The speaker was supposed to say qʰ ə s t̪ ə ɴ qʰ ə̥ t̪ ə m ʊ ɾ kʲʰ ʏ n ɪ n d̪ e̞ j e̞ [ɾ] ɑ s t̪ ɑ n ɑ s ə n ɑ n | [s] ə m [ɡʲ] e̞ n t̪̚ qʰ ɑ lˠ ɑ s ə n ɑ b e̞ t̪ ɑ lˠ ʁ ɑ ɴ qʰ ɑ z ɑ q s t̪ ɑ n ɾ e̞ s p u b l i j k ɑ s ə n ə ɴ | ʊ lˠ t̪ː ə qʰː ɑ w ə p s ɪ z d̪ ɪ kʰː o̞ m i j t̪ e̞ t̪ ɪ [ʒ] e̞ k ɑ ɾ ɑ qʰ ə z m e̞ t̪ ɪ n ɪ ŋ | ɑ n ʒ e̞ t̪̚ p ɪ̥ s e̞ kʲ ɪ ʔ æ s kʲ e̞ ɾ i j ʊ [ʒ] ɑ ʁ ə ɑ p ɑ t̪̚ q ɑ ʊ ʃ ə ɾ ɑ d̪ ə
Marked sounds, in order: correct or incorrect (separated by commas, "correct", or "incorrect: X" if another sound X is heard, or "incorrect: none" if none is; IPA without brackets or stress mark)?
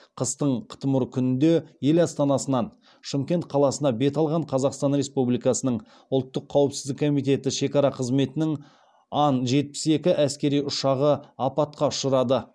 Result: incorrect: l, incorrect: ʃ, incorrect: kʲ, incorrect: ʃ, incorrect: ʃ